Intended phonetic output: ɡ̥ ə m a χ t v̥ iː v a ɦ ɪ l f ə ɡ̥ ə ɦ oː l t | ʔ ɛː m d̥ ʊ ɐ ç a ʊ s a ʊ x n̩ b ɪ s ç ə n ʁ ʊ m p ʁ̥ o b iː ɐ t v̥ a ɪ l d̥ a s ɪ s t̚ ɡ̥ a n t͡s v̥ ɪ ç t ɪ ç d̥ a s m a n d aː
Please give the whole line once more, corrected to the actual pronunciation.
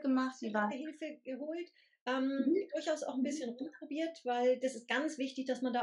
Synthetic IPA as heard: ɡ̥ ə m a χ t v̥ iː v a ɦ ɪ l f ə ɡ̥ ə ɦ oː l t | ʔ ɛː m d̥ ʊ ɐ ç a ʊ s a ʊ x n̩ b ɪ s ç ə n ʁ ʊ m p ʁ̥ o b iː ɐ t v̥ a ɪ l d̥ a s ɪ s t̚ ɡ̥ a n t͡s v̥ ɪ ç t ɪ ç d̥ a s m a n d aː